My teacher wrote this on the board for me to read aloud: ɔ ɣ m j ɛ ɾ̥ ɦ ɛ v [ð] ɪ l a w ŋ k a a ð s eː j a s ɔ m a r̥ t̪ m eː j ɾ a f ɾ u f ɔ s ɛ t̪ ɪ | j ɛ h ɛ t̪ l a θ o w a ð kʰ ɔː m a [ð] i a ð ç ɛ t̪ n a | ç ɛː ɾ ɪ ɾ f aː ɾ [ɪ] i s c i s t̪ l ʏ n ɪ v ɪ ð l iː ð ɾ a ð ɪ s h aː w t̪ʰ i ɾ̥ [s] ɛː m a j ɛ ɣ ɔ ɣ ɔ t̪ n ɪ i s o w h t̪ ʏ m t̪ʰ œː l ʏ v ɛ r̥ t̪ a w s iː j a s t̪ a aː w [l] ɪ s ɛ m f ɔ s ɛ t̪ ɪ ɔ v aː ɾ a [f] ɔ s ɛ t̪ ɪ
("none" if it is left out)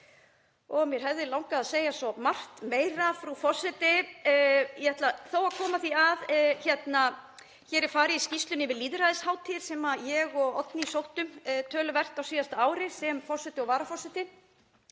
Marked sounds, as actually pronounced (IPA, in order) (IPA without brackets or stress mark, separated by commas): ð, θ, ɪ, s, ɾ, f